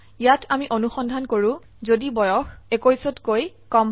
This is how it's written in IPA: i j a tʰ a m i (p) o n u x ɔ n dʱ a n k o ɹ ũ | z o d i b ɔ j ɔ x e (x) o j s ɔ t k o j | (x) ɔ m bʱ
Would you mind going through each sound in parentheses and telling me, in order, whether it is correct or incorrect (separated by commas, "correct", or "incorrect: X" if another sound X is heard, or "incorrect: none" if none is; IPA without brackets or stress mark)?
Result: incorrect: ʔ, incorrect: k, incorrect: k